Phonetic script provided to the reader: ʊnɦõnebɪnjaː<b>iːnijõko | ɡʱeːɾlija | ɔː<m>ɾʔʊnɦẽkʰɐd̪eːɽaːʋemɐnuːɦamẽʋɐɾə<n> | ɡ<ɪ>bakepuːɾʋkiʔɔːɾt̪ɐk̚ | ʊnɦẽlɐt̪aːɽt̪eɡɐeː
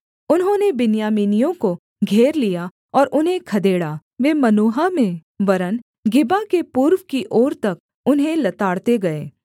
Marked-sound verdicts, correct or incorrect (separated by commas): incorrect, incorrect, correct, correct